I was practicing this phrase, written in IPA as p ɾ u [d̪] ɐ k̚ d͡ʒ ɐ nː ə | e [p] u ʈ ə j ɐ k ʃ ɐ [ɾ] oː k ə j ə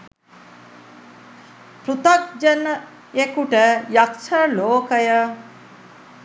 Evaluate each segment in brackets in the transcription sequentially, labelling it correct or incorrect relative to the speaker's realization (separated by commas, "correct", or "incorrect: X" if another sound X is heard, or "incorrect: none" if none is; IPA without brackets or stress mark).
incorrect: t̪, incorrect: k, incorrect: l